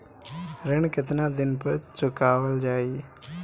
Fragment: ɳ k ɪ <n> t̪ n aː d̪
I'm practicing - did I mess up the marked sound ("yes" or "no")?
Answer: yes